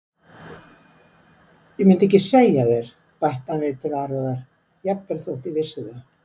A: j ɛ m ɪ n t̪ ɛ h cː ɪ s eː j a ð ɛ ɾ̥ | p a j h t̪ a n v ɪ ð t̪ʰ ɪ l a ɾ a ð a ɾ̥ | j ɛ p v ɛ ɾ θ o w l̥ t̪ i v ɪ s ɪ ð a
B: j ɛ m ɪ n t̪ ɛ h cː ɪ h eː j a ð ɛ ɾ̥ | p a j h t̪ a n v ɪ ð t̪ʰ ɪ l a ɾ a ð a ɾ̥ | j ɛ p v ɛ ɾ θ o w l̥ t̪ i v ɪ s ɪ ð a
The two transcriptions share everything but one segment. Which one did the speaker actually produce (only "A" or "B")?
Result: A